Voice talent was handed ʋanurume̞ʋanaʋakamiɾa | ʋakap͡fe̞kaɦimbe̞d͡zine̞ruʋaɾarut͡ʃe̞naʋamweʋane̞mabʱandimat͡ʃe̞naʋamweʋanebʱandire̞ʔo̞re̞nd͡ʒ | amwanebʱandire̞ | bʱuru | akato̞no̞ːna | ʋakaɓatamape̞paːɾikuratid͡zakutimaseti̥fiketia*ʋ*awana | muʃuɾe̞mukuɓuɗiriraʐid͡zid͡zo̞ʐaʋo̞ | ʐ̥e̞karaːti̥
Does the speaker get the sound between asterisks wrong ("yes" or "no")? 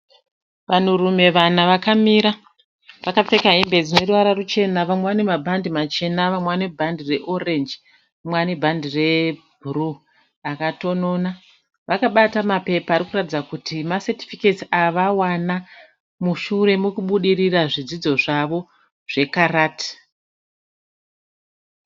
no